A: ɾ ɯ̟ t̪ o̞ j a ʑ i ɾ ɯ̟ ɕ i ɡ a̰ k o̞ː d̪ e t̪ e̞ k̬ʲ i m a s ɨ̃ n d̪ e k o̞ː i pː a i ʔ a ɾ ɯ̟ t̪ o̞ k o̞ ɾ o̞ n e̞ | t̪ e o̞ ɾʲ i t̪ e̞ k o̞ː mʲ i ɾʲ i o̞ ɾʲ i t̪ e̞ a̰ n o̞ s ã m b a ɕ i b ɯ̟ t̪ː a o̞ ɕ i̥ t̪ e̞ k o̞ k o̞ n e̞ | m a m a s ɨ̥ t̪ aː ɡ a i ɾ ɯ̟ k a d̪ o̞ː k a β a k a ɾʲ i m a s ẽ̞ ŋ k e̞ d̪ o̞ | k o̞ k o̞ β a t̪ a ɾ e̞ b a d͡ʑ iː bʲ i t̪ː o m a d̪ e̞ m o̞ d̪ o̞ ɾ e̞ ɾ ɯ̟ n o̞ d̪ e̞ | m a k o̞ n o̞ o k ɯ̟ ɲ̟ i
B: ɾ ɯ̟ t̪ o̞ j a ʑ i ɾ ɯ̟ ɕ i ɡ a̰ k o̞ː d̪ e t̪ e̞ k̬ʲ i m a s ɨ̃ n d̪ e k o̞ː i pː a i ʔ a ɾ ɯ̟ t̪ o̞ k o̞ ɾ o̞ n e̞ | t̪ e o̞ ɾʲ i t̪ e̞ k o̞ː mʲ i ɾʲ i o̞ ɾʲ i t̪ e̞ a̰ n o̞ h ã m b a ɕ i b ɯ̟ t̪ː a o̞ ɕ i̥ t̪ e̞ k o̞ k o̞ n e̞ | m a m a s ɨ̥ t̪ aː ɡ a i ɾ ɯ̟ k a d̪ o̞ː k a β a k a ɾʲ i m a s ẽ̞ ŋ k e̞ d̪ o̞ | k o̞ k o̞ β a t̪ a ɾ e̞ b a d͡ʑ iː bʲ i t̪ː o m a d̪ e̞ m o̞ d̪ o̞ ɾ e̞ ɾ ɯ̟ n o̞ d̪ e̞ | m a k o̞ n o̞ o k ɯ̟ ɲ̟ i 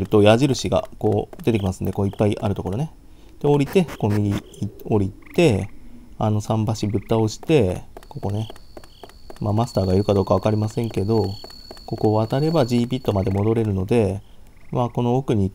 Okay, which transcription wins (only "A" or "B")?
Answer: A